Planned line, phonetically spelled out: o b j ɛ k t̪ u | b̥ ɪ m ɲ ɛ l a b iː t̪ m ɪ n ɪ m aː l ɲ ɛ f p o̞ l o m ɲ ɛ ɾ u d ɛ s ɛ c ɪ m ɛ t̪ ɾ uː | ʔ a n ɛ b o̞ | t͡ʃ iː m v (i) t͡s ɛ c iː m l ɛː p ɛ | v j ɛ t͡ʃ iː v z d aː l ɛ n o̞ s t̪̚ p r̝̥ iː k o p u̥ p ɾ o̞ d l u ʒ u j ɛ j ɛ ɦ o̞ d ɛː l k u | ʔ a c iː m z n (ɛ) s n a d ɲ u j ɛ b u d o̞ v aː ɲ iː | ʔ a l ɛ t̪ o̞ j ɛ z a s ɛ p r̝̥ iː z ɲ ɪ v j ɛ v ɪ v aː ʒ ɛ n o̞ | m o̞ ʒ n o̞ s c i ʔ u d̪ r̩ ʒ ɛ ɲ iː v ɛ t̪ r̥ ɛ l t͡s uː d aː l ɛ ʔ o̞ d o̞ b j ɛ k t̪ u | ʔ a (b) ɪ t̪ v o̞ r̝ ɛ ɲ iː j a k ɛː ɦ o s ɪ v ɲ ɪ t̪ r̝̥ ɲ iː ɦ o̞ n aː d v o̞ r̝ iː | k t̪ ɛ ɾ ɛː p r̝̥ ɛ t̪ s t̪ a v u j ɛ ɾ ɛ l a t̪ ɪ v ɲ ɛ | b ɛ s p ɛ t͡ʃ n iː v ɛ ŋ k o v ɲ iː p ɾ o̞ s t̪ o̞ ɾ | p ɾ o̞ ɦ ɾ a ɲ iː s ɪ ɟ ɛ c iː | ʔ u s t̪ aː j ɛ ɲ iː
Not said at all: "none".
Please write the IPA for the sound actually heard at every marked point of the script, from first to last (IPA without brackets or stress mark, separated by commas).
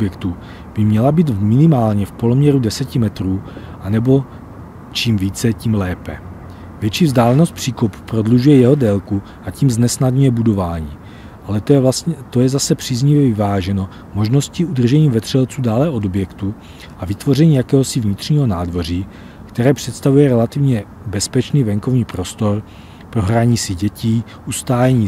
iː, ɛ, v